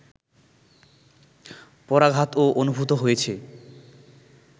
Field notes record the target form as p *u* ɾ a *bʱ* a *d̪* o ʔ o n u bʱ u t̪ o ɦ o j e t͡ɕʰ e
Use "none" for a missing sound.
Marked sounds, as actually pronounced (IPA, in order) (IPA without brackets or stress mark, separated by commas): ɔ, ɡʱ, t̪